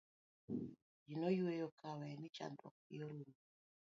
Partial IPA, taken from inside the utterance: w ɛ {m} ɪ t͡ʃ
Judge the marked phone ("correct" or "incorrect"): incorrect